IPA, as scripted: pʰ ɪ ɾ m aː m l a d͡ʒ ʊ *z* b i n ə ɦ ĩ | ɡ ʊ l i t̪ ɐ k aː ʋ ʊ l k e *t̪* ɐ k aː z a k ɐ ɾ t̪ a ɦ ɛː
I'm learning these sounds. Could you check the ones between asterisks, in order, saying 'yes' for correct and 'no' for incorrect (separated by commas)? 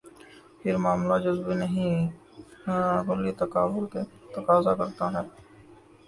yes, yes